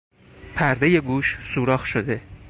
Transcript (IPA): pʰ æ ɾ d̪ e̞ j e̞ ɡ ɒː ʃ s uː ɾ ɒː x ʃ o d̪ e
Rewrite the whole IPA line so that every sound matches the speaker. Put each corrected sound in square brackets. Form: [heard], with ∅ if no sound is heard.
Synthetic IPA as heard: pʰ æ ɾ d̪ e̞ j e̞ ɡ [uː] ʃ s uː ɾ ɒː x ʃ o d̪ e